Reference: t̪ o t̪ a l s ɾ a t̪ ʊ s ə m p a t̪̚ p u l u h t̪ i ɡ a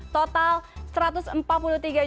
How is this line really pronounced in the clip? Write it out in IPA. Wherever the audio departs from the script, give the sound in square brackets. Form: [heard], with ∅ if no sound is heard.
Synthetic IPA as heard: t̪ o t̪ a l s ɾ a t̪ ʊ s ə m p a t̪̚ p u l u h t̪ i ɡ a

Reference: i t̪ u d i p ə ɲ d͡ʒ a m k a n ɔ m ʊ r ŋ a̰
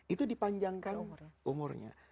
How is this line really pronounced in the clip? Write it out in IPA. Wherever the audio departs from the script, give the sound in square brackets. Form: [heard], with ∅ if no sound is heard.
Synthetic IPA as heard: i t̪ u d i p [a] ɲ d͡ʒ a [ŋ] k a n [u] m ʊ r [ɲ] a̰

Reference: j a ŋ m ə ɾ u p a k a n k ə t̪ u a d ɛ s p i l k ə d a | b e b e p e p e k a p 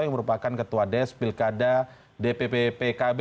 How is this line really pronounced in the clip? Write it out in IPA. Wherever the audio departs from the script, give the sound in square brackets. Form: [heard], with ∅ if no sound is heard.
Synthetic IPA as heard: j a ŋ m ə ɾ u p a k a n k ə t̪ u a d ɛ s p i l k [a] d a | [d] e [p] e p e p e k a [b]

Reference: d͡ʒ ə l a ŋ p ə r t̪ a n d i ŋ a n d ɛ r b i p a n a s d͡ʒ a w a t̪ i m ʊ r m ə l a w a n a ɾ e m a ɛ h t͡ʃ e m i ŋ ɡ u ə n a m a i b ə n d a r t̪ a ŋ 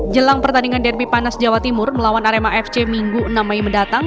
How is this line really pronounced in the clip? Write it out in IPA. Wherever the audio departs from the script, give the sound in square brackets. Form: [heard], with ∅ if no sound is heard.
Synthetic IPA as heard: d͡ʒ ə l a ŋ p ə r t̪ a n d i ŋ a n d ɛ r b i p a n a s d͡ʒ a w a t̪ i m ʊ r m ə l a w a n a ɾ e m a ɛ [f] t͡ʃ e m i ŋ ɡ u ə n a m a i [m] ə n d a [∅] t̪ a ŋ

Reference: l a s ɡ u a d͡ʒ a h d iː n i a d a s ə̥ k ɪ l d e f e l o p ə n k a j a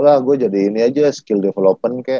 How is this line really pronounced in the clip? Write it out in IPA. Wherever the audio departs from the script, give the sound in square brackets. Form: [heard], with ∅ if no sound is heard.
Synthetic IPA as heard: l a [h] ɡ u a d͡ʒ a [∅] d iː n i a [d͡ʒ] a s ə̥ k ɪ l d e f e l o p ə n k a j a

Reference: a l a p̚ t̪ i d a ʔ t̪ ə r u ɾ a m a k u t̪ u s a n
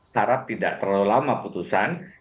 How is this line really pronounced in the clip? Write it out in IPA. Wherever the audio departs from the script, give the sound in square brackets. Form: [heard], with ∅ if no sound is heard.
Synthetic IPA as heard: a [ɾ] a p̚ t̪ i d a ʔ t̪ ə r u [l] a m a [p] u t̪ u s a n

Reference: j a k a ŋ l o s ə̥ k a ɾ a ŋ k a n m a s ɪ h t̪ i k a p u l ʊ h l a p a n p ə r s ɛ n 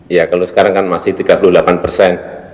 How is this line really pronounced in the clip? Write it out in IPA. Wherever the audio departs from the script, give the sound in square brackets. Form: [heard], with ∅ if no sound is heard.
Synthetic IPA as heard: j a k a [∅] l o s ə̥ k a ɾ a ŋ k a n m a s ɪ h t̪ i [ɡ] a p u l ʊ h l a p a n p ə r s ɛ n

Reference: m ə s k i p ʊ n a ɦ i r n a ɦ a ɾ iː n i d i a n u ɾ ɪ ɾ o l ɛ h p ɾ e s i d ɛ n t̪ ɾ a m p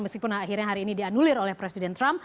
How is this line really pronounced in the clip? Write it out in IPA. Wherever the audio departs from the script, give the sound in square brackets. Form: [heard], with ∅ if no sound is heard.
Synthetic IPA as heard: m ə s k i p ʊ n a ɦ i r [ɲ] a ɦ a ɾ iː n i d i a n u [l] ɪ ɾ o l ɛ h p ɾ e s i d ɛ n t̪ ɾ a m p

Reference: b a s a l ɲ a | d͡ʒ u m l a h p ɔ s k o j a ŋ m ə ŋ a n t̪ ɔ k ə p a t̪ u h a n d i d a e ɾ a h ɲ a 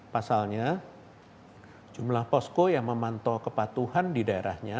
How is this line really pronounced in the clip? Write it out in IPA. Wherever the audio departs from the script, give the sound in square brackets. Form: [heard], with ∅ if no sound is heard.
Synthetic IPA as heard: [p] a s a l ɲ a | d͡ʒ u m l a h p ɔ s k o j a ŋ m ə [m] a n t̪ ɔ k ə p a t̪ u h a n d i d a e ɾ a h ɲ a

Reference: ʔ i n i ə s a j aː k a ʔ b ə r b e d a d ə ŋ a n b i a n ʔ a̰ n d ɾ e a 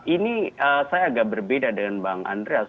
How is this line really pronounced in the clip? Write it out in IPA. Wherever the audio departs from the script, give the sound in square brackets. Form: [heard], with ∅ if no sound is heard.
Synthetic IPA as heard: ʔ i n i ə s a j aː [ɡ] a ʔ b ə r b e d a d ə ŋ a n b [a] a [ŋ] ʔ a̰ n d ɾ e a

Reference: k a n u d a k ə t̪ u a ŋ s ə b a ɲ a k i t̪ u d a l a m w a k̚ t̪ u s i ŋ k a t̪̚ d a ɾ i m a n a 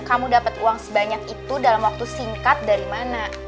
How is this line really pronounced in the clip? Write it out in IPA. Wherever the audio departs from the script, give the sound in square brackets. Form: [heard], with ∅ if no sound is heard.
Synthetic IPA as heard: k a [m] u d a [p] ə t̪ u a ŋ s ə b a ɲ a k i t̪ u d a l a m w a k̚ t̪ u s i ŋ k a t̪̚ d a ɾ i m a n a

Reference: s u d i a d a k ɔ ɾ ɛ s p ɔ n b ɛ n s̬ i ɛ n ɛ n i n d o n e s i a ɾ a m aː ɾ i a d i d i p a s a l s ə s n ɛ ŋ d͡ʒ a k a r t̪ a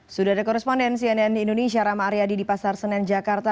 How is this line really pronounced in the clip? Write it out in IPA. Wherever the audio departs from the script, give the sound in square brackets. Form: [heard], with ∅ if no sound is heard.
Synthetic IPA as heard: s u d [a] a d a k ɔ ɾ ɛ s p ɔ n [d] ɛ n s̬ i ɛ n ɛ n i n d o n e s i a ɾ a m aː ɾ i a d i d i p a s a [r] s ə [∅] n ɛ [n] d͡ʒ a k a r t̪ a

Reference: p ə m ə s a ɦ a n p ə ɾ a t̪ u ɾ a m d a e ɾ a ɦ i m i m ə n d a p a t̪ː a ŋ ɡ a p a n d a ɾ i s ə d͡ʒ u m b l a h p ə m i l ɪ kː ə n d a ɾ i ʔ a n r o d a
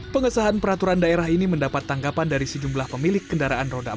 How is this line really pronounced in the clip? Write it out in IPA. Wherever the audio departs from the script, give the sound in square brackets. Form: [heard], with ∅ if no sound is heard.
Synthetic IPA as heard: p ə [ŋ] ə s a ɦ a n p ə ɾ a t̪ u ɾ a [n] d a e ɾ a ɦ i [n] i m ə n d a p a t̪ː a ŋ ɡ a p a n d a ɾ i s ə d͡ʒ u m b l a h p ə m i l ɪ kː ə n d a ɾ [a] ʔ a n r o d a

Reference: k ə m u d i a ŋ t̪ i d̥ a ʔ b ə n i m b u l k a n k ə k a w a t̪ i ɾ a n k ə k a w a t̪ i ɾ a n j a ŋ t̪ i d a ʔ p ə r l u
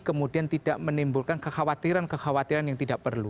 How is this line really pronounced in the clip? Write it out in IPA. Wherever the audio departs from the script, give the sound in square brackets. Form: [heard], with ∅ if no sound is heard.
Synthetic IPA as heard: k ə m u d i a [n] t̪ i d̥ a ʔ [m] ə n i m b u l k a n k ə [x] a w a t̪ i ɾ a n k ə [x] a w a t̪ i ɾ a n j a ŋ t̪ i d a ʔ p ə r l u

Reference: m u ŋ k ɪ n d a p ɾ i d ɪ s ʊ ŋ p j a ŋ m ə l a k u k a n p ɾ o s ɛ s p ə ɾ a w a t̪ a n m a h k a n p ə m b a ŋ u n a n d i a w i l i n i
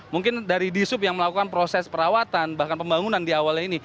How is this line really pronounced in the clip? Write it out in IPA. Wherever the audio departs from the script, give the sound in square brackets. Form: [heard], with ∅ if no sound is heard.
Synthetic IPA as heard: m u ŋ k ɪ n d a [∅] ɾ i d [i] s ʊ [∅] p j a ŋ m ə l a k u k a n p ɾ o s ɛ s p ə ɾ a w a t̪ a n [b] a h k a n p ə m b a ŋ u n a n d i a w [a] l i n i

